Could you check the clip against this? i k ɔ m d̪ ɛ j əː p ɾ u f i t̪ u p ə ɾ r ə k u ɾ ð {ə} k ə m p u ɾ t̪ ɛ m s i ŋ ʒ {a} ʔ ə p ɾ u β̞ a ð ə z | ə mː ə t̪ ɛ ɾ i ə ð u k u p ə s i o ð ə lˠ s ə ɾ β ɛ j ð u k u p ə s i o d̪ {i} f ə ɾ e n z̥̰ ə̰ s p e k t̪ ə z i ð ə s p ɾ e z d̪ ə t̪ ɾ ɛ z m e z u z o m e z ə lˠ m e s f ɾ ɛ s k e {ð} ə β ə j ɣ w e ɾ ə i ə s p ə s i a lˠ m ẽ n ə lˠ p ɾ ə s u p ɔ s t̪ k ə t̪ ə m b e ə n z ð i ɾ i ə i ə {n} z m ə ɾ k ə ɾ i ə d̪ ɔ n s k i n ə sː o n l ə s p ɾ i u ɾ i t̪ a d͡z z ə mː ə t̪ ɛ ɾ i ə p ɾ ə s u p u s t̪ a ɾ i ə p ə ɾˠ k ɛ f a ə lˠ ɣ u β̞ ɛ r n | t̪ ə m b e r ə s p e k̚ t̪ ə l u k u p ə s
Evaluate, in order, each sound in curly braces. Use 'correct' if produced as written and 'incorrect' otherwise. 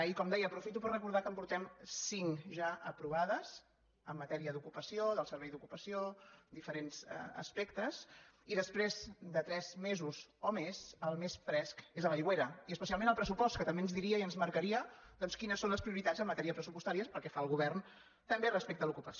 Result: incorrect, correct, correct, incorrect, correct

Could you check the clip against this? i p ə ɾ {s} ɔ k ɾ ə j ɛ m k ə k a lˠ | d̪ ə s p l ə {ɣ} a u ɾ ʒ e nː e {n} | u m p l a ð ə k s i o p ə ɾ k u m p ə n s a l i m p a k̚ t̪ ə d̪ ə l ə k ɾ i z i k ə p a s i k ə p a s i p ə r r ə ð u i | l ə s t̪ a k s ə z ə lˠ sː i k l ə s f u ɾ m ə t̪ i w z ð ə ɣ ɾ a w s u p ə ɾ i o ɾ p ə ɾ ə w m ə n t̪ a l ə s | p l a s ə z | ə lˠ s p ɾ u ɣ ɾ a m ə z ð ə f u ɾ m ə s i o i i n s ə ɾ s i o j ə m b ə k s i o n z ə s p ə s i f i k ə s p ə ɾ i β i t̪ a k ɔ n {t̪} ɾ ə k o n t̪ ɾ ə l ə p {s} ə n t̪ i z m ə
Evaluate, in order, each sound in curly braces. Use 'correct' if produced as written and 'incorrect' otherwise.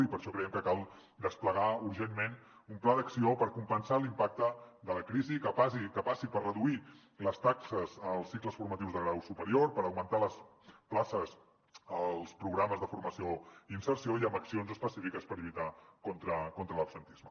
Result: incorrect, correct, correct, correct, correct

